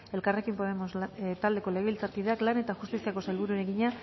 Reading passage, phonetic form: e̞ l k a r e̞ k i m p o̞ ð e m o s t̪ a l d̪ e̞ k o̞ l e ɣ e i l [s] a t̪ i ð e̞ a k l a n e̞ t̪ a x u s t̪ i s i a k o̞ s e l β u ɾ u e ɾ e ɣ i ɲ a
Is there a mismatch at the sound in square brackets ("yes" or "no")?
yes